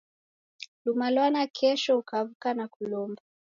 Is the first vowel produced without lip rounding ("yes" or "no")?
no